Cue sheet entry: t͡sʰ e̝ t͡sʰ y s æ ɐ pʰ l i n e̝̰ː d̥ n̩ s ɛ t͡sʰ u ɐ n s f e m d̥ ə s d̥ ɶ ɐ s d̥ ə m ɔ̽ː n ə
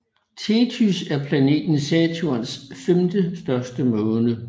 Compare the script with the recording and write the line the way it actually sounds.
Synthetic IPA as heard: t͡sʰ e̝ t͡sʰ y s æ ɐ pʰ l æ n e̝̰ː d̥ n̩ s ɛ t͡sʰ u ɐ n s f e m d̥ ə s d̥ ɶ ɐ s d̥ ə m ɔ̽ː n ə